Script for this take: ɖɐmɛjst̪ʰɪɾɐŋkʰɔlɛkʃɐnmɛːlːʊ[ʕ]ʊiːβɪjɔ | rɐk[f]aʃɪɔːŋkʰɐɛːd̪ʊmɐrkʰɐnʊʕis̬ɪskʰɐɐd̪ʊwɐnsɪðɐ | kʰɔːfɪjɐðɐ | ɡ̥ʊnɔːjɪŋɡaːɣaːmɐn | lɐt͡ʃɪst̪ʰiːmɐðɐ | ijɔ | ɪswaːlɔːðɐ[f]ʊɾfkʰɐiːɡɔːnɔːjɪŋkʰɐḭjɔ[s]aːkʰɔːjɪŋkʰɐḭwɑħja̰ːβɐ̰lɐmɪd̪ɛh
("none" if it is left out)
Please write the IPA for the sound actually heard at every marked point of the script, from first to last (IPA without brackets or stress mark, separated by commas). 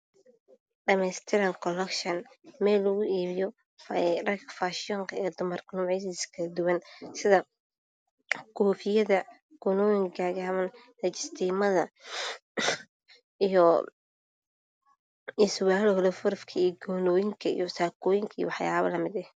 ɣ, f, f, s